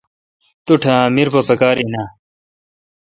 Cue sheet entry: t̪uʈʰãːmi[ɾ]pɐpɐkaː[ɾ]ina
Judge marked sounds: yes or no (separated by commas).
yes, yes